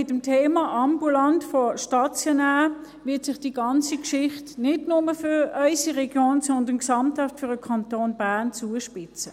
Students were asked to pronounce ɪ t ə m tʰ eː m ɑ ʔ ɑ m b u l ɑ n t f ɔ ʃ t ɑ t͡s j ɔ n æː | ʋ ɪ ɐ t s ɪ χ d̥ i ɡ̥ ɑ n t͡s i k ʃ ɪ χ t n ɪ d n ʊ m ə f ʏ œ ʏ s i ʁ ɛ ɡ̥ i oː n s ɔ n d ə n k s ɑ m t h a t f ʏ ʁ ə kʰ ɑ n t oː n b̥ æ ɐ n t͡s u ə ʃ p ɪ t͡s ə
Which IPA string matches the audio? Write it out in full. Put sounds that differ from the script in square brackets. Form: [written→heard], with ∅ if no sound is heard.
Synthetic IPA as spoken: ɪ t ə m tʰ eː m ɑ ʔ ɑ m b u l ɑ n t f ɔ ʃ t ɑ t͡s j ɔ n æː | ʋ ɪ ɐ t s ɪ χ d̥ i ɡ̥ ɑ n t͡s i k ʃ ɪ χ t n ɪ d n ʊ m ə f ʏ œ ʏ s i ʁ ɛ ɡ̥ [i→j] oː n s ɔ n d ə n k s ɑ m t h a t f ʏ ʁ ə kʰ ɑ n t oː n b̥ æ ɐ n t͡s u ə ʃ p ɪ t͡s ə